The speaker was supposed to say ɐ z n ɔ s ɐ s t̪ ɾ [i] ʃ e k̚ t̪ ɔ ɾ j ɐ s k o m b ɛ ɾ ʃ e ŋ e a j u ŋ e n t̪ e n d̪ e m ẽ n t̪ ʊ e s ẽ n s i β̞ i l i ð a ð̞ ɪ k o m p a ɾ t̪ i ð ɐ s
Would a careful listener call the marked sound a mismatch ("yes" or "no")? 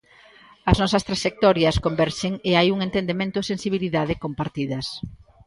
yes